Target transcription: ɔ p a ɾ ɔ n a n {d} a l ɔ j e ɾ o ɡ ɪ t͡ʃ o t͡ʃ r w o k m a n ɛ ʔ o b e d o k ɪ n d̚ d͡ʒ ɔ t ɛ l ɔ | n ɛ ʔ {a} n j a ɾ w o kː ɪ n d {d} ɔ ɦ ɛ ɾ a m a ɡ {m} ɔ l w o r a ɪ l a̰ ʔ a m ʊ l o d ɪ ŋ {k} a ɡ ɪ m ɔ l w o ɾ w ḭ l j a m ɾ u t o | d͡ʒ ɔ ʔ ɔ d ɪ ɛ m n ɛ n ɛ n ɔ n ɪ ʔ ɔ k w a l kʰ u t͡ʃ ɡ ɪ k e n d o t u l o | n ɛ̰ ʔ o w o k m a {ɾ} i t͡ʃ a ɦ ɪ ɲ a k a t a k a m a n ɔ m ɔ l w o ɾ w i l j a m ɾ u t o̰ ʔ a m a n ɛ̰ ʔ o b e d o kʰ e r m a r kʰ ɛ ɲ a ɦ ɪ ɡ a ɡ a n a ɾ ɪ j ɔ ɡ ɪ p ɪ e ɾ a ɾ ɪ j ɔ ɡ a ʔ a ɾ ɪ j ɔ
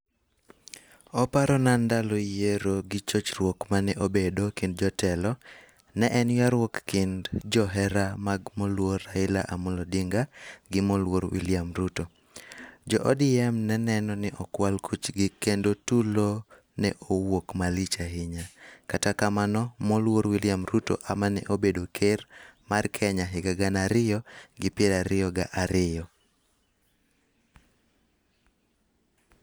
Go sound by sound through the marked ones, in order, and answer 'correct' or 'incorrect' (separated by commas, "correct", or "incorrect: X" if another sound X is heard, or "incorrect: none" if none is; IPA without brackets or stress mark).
correct, incorrect: ɛ, incorrect: d͡ʒ, correct, incorrect: ɡ, incorrect: l